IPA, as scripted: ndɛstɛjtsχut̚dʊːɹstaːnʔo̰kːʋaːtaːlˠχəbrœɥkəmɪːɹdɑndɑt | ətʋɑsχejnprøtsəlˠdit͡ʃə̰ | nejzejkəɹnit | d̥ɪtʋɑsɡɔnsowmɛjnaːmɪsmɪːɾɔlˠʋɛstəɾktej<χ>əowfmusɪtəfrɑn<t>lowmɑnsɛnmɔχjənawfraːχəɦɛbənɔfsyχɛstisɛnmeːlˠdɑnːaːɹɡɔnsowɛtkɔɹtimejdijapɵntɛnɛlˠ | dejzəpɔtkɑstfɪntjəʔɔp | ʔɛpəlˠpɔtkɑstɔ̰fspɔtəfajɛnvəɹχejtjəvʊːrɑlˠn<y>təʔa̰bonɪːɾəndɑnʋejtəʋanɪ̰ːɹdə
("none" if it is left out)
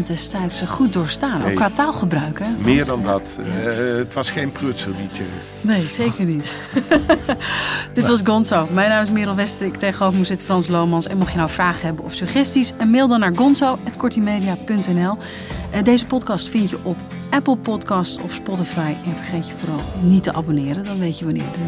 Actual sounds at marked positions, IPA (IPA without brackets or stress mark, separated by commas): χ, s, i